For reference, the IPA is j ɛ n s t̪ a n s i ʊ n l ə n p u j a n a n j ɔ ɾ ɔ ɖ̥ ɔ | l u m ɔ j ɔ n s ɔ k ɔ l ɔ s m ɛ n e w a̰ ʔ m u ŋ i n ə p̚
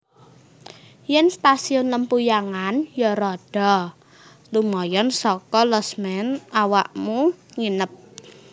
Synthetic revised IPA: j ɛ n s t̪ a s i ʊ n l ə m p u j a ŋ a n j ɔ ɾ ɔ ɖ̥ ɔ | l u m ɔ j ɔ n s ɔ k ɔ l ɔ s m ɛ n a w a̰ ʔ m u ŋ i n ə p̚